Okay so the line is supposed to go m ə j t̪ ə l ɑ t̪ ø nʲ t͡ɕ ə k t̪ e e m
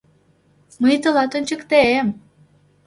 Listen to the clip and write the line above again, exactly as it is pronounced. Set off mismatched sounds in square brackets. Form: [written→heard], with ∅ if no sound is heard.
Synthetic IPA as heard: m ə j t̪ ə l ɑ t̪ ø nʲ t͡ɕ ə k t̪ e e m